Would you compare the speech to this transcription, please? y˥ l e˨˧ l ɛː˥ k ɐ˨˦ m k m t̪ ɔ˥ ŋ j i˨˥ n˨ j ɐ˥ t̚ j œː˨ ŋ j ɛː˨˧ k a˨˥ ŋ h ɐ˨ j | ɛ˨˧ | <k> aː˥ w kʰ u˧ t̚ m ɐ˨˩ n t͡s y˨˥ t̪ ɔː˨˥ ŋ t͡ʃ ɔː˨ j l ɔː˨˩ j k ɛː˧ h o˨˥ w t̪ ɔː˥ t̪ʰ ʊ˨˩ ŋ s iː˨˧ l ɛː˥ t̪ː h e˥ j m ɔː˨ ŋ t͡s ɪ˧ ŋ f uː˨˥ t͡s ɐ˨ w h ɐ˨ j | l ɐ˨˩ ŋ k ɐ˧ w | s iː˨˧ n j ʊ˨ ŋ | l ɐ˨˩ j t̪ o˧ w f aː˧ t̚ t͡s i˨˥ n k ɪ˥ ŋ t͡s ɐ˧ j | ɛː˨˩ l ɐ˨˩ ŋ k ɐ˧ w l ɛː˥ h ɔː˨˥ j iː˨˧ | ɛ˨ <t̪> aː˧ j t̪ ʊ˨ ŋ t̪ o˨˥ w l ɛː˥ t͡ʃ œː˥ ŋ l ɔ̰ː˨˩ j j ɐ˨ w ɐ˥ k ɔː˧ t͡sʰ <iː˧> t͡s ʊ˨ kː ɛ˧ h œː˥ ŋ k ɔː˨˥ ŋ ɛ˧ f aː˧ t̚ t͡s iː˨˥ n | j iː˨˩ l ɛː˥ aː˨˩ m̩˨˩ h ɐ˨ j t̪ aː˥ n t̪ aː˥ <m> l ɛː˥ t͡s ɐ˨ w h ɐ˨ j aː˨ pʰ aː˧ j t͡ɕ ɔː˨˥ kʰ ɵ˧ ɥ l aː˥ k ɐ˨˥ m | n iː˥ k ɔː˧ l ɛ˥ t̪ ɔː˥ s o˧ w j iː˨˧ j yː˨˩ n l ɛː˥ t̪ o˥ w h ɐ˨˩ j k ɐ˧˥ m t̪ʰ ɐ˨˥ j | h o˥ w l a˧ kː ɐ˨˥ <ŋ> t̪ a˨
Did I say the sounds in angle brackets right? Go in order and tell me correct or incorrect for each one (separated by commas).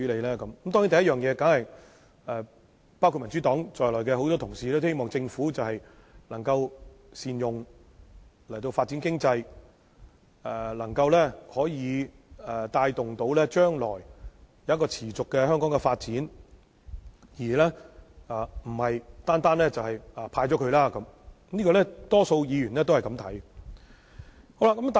incorrect, correct, incorrect, incorrect, incorrect